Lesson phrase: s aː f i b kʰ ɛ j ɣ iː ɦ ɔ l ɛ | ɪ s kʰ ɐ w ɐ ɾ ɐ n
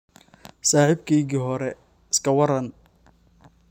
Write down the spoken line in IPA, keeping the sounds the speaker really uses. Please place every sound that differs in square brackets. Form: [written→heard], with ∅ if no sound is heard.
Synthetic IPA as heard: s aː [f→ħ] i b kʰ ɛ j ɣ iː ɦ ɔ [l→ɾ] ɛ | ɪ s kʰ ɐ w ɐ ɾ ɐ n